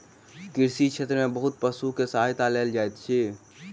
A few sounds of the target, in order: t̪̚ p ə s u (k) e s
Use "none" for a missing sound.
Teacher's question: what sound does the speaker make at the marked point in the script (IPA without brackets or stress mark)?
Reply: k